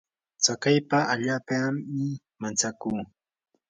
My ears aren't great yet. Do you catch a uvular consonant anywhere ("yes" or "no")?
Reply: no